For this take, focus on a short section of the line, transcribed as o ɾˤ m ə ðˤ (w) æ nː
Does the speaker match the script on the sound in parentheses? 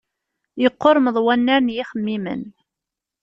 yes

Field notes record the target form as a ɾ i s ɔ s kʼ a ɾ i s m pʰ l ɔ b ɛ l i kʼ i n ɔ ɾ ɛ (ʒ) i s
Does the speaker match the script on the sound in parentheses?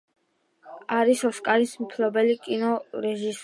yes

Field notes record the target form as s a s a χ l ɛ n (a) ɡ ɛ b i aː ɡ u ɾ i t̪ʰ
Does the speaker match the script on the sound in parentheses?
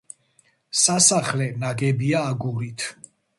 yes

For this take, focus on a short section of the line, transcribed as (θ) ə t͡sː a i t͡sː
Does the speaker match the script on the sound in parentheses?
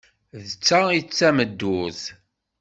no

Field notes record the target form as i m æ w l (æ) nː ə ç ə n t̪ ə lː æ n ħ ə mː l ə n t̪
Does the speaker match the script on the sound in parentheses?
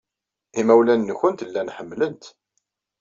yes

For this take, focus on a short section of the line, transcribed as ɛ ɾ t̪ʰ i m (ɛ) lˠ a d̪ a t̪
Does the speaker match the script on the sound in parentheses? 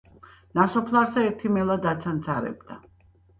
yes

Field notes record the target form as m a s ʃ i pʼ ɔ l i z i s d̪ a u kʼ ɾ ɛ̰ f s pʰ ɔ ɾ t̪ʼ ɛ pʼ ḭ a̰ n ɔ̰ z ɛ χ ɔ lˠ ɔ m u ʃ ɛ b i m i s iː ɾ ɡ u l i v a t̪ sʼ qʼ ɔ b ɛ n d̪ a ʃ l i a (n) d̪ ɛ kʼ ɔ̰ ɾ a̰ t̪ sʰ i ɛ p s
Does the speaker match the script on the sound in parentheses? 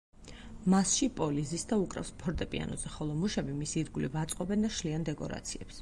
yes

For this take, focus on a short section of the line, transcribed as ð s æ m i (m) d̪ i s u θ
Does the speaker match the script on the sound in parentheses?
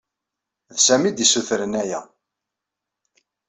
no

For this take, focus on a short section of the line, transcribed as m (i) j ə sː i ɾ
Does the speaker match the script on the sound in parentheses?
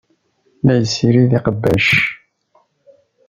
no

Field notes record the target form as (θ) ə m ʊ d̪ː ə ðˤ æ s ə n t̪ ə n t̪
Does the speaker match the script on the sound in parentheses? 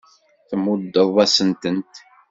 yes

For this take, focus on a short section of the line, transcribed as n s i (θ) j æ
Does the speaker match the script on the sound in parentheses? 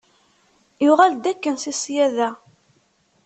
no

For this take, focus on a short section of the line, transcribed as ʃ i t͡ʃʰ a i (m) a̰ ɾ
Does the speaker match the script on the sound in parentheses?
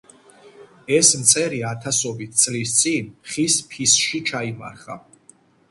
yes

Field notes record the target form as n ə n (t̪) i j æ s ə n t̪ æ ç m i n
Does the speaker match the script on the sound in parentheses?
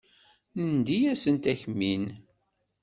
no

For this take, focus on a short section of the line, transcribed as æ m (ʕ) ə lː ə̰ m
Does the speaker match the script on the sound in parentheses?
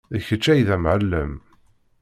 yes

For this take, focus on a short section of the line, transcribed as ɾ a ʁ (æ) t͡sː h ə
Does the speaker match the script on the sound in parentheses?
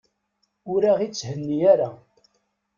no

